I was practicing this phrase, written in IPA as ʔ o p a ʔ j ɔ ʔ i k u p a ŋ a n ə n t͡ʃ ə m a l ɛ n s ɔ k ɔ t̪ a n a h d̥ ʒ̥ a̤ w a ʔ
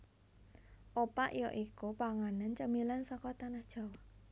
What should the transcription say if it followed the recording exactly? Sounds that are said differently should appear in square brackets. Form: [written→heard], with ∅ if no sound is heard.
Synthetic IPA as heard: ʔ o p a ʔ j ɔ ʔ i k u p a ŋ a n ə n t͡ʃ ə m [a→i] l [ɛ→a] n s ɔ k ɔ t̪ a n a h d̥ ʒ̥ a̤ w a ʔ